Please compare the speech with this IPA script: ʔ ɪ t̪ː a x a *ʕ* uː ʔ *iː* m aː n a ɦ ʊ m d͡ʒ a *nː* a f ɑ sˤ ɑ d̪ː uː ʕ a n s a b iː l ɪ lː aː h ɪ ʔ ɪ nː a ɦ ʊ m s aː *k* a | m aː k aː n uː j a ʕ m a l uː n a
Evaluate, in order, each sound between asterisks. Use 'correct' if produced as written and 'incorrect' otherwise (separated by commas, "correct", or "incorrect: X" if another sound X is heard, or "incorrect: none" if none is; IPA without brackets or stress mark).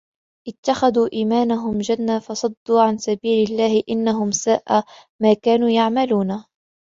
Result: incorrect: ð, correct, correct, incorrect: ʔ